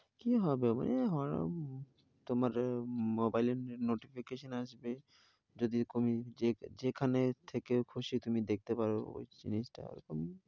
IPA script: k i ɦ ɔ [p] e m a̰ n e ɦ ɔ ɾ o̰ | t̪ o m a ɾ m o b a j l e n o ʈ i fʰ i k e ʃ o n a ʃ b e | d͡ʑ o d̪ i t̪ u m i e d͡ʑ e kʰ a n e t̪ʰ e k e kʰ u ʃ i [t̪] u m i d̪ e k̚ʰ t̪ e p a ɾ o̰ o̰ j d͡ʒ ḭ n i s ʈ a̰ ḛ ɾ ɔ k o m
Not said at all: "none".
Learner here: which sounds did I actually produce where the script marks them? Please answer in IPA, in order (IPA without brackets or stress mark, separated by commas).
b, t̪